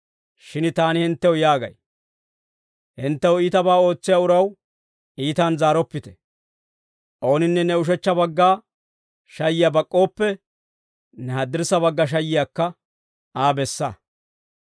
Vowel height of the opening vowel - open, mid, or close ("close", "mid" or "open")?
close